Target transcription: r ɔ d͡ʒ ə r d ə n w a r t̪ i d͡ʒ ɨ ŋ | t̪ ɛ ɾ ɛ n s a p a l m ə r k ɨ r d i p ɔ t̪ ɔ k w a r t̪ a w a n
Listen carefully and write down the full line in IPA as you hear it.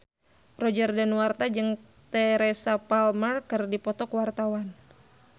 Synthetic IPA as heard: r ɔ d͡ʒ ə r d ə n w a r t̪ a d͡ʒ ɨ ŋ | t̪ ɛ ɾ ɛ s a p a l m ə r k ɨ r d i p ɔ t̪ ɔ k w a r t̪ a w a n